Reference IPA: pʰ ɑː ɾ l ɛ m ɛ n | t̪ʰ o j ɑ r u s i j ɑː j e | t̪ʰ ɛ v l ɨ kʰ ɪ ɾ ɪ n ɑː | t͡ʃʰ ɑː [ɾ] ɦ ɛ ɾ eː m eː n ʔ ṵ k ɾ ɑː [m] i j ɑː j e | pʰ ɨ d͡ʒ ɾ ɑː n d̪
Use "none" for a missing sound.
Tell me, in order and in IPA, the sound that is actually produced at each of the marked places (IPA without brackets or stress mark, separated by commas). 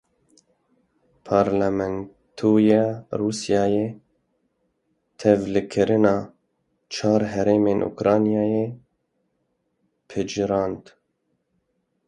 ɾ, n